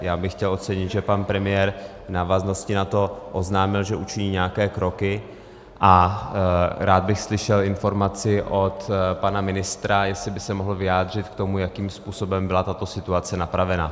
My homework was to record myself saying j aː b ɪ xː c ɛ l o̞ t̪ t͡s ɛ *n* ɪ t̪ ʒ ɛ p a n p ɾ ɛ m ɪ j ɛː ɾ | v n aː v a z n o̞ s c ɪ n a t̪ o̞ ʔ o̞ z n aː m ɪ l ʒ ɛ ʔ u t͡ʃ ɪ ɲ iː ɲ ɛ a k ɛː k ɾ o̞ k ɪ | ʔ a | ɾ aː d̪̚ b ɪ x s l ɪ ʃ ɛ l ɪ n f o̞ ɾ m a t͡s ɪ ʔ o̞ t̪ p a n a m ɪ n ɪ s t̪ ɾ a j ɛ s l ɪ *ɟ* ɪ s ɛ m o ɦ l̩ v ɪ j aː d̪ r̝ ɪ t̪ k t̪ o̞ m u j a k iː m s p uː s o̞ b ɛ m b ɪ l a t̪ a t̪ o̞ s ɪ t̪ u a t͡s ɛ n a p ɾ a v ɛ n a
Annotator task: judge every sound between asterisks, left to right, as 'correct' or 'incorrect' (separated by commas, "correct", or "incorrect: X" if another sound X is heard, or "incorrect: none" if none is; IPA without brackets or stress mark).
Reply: incorrect: ɲ, incorrect: b